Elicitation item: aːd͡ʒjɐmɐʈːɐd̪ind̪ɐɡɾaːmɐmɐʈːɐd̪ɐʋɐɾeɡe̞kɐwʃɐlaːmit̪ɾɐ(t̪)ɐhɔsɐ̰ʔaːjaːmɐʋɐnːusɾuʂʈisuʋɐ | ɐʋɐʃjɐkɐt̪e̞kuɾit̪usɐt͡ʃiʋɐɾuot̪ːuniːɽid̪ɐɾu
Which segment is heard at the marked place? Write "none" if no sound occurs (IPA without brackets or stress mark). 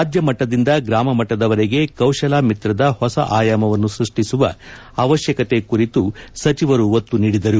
d̪